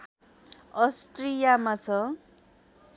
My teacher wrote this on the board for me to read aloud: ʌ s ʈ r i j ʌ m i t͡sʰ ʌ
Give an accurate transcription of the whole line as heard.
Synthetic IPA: ʌ s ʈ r i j a m a t͡sʰ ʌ